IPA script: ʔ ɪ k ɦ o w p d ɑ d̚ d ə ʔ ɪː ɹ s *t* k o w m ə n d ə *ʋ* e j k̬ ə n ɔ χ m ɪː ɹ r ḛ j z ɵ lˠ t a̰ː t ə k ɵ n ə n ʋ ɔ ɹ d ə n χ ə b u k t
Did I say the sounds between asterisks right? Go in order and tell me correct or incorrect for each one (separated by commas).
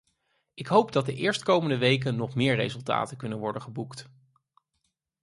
correct, correct